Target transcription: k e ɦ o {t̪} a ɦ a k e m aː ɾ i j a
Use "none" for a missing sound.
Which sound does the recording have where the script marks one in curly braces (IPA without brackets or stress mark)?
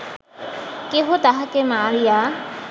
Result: t̪